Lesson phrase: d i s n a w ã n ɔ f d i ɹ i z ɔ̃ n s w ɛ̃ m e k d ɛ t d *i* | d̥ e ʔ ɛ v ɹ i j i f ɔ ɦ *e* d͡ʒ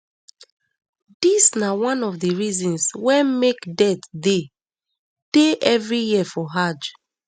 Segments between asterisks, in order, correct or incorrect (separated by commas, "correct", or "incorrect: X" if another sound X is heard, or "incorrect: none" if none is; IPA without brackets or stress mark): incorrect: e, incorrect: a